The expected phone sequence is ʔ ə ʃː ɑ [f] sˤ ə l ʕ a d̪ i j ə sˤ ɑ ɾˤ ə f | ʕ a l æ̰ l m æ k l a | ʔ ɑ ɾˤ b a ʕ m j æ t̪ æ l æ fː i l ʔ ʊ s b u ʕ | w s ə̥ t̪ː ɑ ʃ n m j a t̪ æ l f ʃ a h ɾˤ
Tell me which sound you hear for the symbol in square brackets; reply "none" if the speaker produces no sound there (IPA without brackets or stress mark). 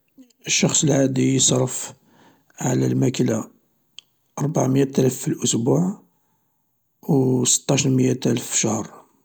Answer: x